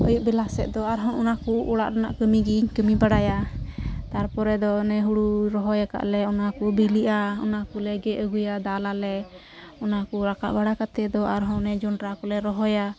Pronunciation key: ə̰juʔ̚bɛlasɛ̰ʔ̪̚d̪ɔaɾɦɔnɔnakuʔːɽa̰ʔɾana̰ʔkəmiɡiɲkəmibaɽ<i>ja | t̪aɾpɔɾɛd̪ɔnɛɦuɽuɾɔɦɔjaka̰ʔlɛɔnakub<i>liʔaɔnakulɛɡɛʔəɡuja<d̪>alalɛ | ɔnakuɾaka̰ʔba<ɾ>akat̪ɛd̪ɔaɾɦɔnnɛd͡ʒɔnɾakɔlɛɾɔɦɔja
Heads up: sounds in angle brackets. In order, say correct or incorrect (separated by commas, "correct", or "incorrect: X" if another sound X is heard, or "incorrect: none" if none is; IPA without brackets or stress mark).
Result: incorrect: a, correct, correct, incorrect: ɽ